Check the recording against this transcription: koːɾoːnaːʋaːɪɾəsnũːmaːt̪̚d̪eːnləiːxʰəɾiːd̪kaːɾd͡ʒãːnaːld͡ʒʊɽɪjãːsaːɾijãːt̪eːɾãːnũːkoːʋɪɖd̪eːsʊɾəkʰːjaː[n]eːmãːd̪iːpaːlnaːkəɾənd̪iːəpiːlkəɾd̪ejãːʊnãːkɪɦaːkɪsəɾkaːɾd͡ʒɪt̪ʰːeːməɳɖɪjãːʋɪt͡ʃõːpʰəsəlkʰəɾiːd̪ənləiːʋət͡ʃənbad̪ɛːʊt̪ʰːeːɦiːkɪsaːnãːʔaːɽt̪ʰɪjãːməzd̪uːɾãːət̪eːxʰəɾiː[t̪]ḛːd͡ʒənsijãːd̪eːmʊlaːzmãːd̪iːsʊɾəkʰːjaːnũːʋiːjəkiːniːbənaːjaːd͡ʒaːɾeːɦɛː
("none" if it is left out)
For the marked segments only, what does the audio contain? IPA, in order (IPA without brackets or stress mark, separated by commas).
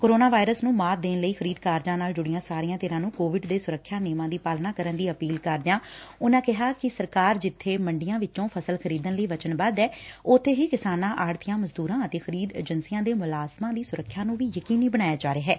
n, d̪